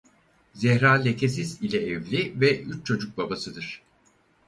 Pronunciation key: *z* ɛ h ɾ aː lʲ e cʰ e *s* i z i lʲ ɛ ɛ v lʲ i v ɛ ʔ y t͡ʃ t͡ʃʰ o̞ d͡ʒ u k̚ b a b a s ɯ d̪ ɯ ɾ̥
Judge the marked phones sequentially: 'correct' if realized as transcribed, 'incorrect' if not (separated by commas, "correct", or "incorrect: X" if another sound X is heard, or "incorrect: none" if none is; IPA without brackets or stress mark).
correct, correct